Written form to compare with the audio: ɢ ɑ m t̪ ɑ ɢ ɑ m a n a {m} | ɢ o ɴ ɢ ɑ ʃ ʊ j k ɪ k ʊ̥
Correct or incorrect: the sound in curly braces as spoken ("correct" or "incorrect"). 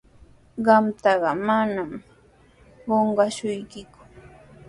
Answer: correct